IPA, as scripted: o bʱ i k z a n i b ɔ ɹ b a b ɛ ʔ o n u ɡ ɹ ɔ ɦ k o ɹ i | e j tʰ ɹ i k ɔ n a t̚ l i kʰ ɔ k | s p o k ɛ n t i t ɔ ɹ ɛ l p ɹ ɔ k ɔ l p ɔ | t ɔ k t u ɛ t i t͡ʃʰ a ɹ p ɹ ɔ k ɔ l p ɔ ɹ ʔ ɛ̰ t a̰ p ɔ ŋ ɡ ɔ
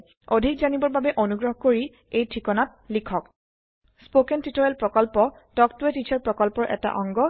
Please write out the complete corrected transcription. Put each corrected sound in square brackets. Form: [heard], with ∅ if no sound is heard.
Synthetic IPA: o [dʱ] i k z a n i b ɔ ɹ b a b ɛ ʔ o n u ɡ ɹ ɔ ɦ k o ɹ i | e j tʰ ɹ i k ɔ n a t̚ l i kʰ ɔ k | s p o k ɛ n t i t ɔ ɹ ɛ l p ɹ ɔ k ɔ l p ɔ | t ɔ k t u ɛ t i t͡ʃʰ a ɹ p ɹ ɔ k ɔ l p ɔ ɹ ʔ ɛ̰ t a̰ [ʔ] ɔ ŋ ɡ ɔ

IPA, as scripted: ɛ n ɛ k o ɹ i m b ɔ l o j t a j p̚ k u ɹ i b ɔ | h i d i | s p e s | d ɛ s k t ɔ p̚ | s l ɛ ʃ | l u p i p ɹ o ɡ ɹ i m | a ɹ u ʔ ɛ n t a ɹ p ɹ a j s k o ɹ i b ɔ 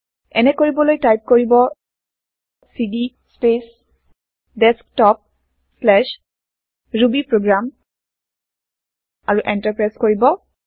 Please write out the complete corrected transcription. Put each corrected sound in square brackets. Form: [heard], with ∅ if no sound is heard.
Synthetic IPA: ɛ n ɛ k o ɹ i [∅] b ɔ l o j t a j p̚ k [o] ɹ i b ɔ | [s] i d i | s p e s | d ɛ s k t ɔ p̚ | s l ɛ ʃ | [ɹ] u [b] i p ɹ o ɡ ɹ [a] m | a ɹ u ʔ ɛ n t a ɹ p ɹ a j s k o ɹ i b ɔ

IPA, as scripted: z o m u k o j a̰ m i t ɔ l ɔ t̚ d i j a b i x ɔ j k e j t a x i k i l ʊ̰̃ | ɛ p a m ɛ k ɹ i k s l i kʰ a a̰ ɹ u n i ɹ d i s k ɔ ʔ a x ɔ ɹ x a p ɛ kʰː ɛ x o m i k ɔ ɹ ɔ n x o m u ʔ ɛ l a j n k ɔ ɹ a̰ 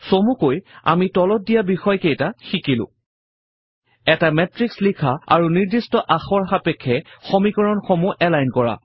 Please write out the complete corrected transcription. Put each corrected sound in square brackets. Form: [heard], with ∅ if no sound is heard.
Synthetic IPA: [s] o m u k o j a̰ m i t ɔ l ɔ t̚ d i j a b i x ɔ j k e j t a x i k i l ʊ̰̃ | ɛ [t] a m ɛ [t] ɹ i k s l i kʰ a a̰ ɹ u n i ɹ d i s [t] ɔ ʔ a x ɔ ɹ x a p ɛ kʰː ɛ x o m i k ɔ ɹ ɔ n x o m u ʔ ɛ l a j n k ɔ ɹ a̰

